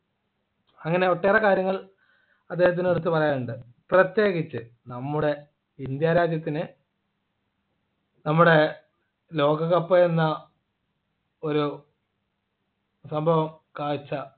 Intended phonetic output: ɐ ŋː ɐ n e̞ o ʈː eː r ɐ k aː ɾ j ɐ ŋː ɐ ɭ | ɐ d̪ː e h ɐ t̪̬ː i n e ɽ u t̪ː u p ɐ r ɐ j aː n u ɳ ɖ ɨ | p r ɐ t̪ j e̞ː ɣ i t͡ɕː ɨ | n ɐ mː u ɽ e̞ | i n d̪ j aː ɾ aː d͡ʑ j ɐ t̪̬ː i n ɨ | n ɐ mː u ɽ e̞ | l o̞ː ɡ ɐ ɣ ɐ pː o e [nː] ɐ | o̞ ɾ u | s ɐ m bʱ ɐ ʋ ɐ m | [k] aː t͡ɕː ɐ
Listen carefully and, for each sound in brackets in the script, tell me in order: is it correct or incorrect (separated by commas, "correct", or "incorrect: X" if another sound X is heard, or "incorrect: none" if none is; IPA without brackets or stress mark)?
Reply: correct, correct